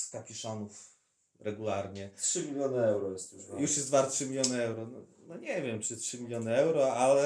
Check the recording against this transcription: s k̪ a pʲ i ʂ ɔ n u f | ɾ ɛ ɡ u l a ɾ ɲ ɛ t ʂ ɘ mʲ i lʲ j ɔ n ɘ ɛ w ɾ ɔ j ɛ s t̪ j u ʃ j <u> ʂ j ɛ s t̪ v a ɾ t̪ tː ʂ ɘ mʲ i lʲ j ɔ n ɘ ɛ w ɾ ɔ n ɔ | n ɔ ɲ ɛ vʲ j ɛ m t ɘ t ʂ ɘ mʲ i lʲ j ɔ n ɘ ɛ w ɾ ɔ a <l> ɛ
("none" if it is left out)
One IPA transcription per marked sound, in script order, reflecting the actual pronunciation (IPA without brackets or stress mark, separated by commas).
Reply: u, l